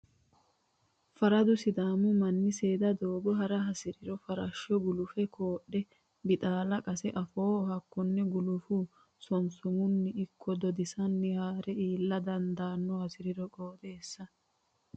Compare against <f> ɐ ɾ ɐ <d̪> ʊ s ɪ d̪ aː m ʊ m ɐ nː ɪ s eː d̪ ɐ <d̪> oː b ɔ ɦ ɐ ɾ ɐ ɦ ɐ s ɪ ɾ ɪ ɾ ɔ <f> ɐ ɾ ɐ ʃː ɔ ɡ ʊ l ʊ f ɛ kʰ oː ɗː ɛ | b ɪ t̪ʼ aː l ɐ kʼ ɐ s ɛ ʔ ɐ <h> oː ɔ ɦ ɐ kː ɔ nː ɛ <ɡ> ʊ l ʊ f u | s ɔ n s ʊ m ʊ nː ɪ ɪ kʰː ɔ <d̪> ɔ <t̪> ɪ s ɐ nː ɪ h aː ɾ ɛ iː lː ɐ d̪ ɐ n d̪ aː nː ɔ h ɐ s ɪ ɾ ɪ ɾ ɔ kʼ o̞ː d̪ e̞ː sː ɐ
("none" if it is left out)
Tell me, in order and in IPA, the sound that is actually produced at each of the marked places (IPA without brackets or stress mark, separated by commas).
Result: f, d̪, d̪, f, f, ɡ, d̪, d̪